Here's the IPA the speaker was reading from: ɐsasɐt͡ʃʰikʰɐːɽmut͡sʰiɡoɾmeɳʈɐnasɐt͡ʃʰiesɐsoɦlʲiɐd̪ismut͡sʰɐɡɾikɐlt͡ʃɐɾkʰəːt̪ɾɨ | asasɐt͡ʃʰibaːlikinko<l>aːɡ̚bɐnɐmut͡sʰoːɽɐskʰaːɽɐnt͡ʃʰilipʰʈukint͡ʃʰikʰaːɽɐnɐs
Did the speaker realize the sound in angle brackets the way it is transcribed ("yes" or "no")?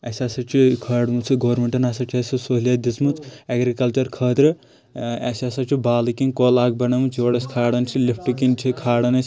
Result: yes